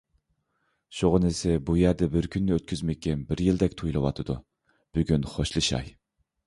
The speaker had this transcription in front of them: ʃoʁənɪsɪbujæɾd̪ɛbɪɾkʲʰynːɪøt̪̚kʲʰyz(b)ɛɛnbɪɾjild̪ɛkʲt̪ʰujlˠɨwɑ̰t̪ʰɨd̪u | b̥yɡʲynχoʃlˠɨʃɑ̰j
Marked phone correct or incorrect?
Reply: incorrect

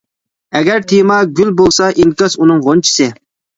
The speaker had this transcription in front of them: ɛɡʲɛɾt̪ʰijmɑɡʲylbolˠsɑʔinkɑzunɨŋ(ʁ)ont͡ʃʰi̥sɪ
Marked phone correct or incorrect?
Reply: correct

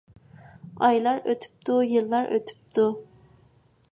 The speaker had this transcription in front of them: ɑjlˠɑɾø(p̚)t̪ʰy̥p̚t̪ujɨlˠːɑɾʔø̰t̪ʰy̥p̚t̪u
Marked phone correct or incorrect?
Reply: incorrect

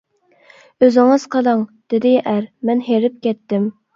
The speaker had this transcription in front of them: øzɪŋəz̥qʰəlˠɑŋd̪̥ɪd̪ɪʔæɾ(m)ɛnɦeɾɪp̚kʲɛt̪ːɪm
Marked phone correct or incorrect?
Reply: correct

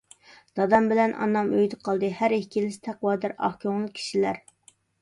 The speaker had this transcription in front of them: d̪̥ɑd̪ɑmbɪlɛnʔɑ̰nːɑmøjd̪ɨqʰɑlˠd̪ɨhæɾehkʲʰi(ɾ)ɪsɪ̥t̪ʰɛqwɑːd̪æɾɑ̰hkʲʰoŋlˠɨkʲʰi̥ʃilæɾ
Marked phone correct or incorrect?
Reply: incorrect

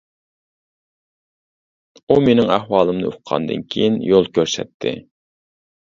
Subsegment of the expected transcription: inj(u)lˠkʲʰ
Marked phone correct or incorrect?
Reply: incorrect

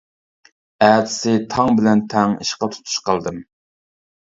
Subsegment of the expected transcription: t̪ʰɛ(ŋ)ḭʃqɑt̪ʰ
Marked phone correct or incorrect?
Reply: correct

